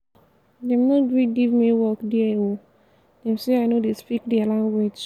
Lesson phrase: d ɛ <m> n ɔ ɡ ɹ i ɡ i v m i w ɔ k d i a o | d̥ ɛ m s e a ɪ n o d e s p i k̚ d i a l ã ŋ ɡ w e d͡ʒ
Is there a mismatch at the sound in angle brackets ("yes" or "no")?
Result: no